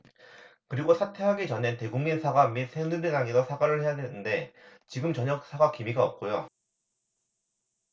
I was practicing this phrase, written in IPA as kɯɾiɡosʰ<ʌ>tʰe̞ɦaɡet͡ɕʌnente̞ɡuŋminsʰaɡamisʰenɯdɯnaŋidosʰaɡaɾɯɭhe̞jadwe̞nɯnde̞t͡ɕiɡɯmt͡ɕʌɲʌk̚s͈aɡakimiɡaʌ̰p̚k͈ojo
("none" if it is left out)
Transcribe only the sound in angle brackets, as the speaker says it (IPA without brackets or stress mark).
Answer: a